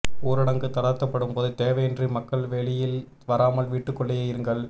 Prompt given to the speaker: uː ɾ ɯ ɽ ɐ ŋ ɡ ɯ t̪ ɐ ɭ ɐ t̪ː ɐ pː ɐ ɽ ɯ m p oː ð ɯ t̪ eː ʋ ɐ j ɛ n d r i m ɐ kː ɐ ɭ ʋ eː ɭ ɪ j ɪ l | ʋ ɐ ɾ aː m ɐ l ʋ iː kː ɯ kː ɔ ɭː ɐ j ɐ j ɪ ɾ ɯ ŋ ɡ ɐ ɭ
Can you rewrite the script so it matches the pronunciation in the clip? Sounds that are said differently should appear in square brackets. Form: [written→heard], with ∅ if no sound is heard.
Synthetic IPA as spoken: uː ɾ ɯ ɽ ɐ ŋ ɡ ɯ t̪ ɐ [ɭ→ɽ] ɐ t̪ː ɐ pː ɐ ɽ ɯ m p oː ð ɯ t̪ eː ʋ ɐ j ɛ n d r i m ɐ kː ɐ ɭ ʋ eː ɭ ɪ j ɪ l | ʋ ɐ ɾ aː m ɐ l ʋ iː [kː→ʈː] ɯ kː ɔ ɭː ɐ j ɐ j ɪ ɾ ɯ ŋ ɡ ɐ ɭ